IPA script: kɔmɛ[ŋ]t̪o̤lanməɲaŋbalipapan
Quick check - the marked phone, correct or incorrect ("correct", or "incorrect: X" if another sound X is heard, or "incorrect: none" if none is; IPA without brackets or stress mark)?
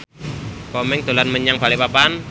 correct